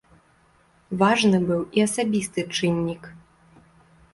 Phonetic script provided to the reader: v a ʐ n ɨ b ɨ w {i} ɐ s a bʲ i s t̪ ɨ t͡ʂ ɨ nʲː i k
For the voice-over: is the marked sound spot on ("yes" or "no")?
yes